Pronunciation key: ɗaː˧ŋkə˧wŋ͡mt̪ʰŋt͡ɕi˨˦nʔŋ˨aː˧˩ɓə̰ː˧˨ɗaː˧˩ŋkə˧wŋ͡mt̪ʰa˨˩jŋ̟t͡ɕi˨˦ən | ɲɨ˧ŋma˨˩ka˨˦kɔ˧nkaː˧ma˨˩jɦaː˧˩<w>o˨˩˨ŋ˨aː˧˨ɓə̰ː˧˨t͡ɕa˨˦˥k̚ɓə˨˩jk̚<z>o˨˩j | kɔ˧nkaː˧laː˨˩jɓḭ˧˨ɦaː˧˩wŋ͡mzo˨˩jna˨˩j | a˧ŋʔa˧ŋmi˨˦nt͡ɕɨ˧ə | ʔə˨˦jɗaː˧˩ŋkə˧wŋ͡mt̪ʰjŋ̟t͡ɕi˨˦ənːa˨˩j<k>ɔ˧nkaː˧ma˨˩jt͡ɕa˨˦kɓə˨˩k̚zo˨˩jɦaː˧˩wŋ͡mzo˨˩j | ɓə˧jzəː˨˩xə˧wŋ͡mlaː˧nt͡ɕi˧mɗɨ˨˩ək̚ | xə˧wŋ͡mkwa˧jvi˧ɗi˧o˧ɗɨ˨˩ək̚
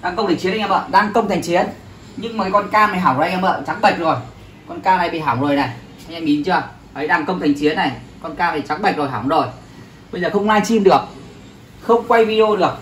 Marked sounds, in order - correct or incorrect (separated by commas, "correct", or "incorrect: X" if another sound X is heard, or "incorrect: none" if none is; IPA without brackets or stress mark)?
correct, correct, correct